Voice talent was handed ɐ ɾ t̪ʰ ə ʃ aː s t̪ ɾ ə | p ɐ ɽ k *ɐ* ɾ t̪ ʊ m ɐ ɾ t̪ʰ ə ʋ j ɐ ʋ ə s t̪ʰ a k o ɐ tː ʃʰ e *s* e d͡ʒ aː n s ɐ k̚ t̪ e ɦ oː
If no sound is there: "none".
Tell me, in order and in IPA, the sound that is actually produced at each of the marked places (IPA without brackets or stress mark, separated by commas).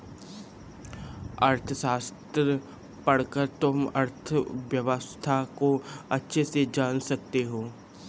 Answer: ə, s